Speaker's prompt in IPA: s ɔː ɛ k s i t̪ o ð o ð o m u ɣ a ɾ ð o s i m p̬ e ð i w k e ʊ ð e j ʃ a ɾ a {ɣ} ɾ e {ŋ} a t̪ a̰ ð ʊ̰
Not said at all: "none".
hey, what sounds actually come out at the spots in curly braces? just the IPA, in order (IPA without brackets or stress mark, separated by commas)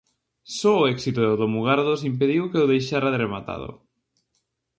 ð, m